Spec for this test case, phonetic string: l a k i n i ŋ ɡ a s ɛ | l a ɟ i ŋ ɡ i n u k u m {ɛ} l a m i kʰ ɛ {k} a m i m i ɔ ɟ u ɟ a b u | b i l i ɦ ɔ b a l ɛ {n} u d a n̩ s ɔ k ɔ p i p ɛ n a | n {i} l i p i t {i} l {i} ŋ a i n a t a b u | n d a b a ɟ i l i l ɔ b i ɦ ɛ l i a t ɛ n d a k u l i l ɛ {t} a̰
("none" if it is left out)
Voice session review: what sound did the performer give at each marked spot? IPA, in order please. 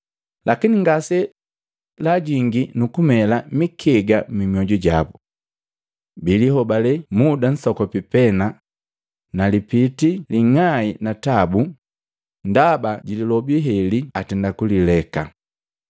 ɛ, ɡ, m, a, i, i, k

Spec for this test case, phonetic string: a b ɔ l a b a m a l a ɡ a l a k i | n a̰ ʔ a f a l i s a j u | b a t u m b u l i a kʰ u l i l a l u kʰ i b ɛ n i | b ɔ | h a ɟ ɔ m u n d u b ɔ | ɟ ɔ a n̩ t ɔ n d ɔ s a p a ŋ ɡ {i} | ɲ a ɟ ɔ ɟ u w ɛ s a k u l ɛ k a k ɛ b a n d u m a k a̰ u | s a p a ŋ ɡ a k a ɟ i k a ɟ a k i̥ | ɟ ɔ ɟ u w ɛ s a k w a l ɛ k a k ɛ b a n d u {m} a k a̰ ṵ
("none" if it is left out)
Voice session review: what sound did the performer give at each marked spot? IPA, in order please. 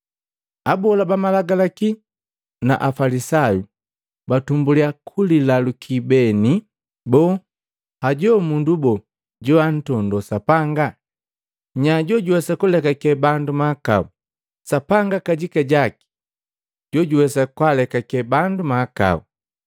a, m

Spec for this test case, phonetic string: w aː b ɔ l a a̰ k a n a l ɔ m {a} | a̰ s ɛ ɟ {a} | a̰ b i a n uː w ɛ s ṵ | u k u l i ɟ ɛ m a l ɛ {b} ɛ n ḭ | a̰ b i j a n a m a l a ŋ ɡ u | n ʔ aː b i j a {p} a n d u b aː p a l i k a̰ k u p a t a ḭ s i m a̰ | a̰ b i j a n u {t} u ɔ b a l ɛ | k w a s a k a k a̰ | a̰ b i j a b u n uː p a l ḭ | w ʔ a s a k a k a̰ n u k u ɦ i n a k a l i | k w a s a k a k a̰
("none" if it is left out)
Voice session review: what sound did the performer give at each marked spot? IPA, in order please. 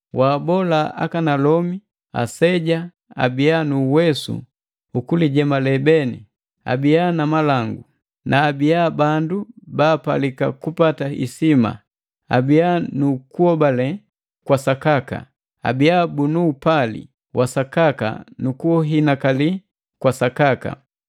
i, a, b, b, k

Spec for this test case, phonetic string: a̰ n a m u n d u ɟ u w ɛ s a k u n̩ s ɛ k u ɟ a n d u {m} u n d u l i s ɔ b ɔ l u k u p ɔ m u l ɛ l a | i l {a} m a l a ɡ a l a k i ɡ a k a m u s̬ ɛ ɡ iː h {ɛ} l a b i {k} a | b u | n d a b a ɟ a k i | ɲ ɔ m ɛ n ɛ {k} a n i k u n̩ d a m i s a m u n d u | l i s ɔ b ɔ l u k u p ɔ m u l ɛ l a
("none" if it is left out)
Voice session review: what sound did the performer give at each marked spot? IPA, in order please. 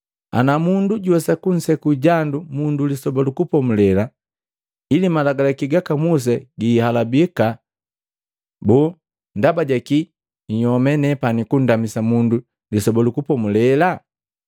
m, i, a, k, p

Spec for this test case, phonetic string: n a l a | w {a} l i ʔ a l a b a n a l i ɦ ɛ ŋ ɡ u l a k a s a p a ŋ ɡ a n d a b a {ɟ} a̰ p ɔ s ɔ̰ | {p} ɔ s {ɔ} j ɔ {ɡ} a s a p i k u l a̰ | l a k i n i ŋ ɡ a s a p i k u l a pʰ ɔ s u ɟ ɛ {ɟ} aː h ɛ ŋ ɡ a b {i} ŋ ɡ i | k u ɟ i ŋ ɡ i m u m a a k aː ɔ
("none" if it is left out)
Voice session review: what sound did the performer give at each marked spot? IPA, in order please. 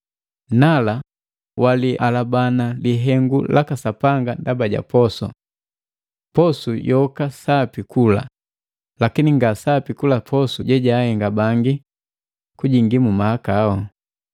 a, ɟ, p, u, k, ɟ, a

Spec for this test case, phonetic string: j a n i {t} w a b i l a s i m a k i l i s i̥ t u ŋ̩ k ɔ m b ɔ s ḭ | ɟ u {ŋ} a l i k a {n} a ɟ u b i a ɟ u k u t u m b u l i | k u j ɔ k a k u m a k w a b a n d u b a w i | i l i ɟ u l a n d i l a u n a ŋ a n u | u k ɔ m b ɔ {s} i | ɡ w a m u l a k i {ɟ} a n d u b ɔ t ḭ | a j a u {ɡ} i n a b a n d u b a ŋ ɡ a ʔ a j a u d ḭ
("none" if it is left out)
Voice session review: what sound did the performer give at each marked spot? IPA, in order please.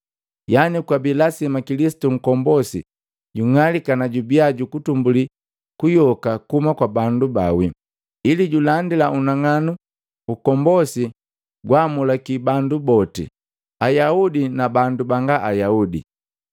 k, ŋ, n, s, b, d

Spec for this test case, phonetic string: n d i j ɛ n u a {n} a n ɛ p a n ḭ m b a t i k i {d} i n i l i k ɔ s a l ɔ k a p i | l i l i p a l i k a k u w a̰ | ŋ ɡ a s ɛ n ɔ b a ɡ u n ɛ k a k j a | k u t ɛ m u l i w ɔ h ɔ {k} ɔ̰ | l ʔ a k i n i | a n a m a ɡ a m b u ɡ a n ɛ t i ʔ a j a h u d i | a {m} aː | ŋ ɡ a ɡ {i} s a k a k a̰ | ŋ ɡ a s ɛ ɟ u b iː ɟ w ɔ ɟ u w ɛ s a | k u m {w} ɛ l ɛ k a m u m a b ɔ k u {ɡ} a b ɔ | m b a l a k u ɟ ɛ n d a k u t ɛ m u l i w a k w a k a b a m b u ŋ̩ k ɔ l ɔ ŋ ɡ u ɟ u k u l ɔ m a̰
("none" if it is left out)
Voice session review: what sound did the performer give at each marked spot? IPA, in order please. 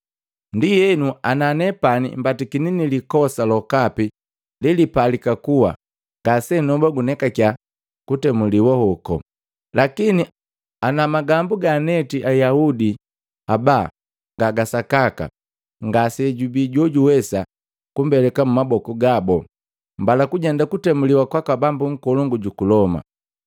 n, n, k, b, a, b, ɡ

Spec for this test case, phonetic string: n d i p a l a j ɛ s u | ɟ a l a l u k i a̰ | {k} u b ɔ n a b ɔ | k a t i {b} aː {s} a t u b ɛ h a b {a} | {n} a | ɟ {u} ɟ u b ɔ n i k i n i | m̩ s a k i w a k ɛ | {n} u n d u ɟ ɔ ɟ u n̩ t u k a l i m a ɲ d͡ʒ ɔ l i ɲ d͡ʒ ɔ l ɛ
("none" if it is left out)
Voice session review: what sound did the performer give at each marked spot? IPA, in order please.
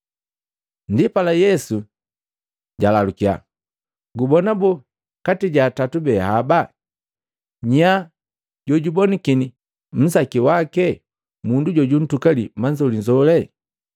ɡ, ɟ, t, a, ɲ, ɔ, m

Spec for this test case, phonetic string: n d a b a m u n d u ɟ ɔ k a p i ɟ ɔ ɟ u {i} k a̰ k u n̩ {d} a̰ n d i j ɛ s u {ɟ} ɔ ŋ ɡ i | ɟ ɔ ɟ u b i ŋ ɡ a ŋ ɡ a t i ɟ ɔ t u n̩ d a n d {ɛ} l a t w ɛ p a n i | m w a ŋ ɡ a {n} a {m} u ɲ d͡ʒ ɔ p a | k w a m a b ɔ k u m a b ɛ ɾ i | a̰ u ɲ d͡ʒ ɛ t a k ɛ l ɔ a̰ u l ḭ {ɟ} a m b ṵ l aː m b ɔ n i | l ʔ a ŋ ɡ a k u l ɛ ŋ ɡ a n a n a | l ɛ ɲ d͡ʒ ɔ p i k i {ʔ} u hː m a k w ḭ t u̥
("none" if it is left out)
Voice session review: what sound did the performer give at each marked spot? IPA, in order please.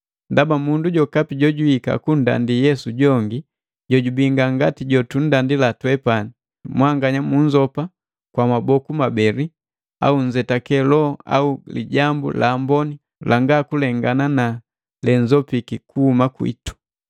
i, d, ɟ, i, ɲ, m, ɟ, k

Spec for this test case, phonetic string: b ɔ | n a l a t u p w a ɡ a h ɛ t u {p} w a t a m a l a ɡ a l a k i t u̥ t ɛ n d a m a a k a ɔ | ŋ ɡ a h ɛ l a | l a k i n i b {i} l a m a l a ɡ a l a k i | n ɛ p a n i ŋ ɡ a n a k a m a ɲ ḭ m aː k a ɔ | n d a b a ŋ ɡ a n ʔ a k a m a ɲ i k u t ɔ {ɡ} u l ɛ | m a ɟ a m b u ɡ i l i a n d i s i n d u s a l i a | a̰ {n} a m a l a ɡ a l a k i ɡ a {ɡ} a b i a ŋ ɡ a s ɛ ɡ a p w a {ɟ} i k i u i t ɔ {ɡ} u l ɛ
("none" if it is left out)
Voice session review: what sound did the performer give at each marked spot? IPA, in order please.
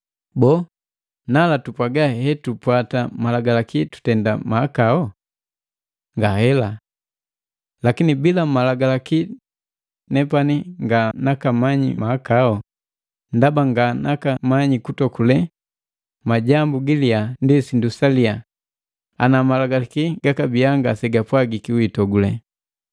p, i, k, n, k, ɡ, ɡ

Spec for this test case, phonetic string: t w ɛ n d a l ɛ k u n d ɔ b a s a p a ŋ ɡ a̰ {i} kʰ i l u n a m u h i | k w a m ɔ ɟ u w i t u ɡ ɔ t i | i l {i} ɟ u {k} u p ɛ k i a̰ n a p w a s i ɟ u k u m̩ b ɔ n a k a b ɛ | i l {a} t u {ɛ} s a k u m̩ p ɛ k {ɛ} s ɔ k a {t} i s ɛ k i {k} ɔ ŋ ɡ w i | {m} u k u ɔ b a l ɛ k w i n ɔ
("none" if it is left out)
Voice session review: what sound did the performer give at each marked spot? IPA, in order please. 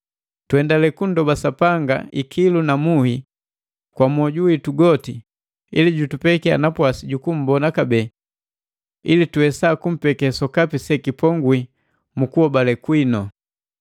i, i, t, i, ɛ, ɛ, p, p, m

